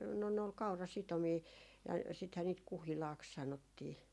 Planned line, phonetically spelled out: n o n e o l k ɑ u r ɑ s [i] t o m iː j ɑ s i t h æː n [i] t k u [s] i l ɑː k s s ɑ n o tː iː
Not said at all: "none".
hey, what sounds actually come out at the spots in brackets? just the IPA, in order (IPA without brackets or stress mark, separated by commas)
i, iː, h